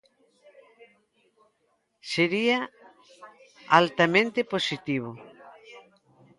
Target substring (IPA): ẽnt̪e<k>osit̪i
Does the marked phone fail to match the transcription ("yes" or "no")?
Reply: yes